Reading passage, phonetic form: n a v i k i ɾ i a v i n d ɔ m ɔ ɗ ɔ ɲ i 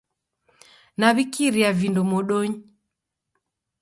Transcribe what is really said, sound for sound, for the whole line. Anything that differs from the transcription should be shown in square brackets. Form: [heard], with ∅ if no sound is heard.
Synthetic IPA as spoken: n a [β] i k i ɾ i a v i n d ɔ m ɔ ɗ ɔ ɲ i